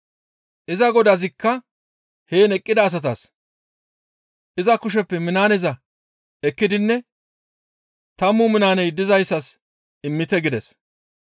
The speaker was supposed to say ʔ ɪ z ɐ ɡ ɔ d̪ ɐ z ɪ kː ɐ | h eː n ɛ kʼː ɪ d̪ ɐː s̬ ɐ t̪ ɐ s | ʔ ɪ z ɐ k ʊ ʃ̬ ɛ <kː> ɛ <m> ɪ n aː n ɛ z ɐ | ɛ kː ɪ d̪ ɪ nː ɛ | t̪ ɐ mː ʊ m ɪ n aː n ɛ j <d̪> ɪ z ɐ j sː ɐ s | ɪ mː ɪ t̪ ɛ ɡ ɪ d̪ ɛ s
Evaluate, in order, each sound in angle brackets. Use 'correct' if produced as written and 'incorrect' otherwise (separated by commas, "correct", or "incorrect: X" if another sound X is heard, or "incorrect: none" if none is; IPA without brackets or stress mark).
incorrect: pː, correct, correct